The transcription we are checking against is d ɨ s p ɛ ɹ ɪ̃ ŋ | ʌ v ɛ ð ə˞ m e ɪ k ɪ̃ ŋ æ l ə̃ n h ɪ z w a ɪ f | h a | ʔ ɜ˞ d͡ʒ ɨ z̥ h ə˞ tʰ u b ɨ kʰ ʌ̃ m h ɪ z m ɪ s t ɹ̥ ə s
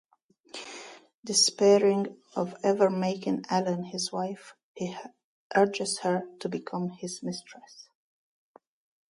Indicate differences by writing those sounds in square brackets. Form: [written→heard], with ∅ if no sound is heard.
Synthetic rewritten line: d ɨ s p ɛ ɹ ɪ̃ ŋ | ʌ v ɛ [ð→v] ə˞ m e ɪ k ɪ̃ ŋ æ l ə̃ n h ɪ z w a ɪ f | h [a→i] | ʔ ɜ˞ d͡ʒ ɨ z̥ h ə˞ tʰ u b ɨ kʰ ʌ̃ m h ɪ z m ɪ s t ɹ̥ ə s